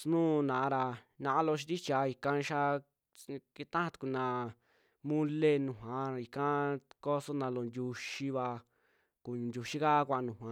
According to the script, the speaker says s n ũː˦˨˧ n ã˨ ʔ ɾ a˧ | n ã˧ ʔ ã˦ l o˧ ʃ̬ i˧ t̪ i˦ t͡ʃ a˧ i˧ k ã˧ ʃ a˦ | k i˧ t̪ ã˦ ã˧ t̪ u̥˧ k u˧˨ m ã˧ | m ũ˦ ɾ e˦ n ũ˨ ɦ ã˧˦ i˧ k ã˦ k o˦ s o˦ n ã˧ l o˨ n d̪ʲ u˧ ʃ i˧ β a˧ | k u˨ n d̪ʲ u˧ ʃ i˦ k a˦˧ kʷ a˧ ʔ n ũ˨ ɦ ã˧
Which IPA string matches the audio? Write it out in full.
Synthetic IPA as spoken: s n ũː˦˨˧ n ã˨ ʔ ɾ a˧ | n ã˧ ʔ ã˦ l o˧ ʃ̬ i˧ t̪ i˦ t͡ʃ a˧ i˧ k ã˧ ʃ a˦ | k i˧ t̪ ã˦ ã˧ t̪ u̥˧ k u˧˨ n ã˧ | m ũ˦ l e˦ n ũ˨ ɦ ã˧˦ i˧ k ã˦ k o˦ s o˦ n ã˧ l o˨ n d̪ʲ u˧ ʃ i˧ β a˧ | k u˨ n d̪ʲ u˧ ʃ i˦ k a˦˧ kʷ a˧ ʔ n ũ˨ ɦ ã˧